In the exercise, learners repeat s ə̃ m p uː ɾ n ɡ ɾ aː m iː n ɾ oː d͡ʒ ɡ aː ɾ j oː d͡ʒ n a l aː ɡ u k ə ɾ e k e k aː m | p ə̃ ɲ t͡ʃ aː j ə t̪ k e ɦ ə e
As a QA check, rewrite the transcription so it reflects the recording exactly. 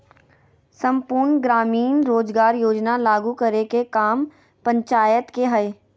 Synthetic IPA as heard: s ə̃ m p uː ɾ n ɡ ɾ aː m iː n ɾ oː d͡ʒ ɡ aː ɾ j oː d͡ʒ n a l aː ɡ u k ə ɾ e k e k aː m | p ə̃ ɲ t͡ʃ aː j ə t̪ k e ɦ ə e